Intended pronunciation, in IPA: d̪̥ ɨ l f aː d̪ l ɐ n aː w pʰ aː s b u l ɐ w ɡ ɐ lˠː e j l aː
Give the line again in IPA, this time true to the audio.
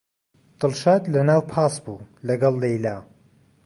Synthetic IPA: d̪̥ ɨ l ʃ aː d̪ l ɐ n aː w pʰ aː s b u l ɐ ɡ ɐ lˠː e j l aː

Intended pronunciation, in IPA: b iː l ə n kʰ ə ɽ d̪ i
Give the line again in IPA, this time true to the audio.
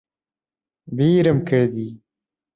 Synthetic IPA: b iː ɾ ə m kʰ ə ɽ d̪ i

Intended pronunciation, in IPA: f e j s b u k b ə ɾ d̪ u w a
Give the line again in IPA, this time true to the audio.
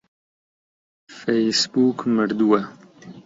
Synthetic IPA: f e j s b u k m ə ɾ d̪ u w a

